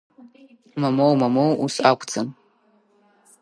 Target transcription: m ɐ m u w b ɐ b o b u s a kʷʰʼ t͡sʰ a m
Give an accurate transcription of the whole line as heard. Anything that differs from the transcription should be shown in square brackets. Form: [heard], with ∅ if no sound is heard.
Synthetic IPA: m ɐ m [o] w [m] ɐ [m] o [w] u s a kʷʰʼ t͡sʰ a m